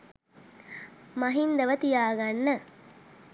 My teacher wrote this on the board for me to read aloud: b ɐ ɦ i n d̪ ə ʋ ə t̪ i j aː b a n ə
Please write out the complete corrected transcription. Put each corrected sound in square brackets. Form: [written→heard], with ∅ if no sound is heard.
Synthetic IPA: [b→m] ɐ ɦ i n d̪ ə ʋ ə t̪ i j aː [b→ɡ] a [n→nː] ə